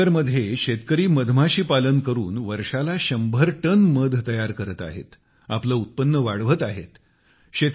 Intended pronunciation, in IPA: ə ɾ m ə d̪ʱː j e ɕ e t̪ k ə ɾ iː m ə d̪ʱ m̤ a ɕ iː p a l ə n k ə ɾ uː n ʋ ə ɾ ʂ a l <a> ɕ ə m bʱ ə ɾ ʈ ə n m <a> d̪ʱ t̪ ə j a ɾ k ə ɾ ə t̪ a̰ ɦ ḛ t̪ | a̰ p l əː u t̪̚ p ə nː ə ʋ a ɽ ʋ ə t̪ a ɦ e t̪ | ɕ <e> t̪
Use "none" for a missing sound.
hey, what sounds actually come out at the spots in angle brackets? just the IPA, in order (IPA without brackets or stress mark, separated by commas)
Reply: a, ə, e